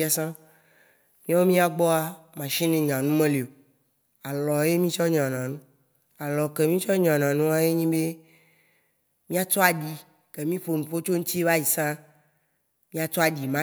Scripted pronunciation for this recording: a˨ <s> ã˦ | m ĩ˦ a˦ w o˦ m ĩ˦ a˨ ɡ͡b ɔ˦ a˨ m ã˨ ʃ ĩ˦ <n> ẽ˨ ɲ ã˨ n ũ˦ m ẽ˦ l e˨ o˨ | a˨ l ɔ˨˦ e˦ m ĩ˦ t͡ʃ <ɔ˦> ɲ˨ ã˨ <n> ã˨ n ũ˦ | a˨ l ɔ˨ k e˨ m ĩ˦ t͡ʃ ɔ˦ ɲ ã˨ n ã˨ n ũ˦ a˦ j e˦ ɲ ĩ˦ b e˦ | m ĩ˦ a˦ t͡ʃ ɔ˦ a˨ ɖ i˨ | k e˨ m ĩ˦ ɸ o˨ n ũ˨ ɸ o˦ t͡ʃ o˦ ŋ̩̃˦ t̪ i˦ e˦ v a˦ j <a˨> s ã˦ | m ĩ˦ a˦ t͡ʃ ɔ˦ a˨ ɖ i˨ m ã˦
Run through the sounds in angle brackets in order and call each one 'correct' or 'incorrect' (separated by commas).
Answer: correct, correct, correct, correct, incorrect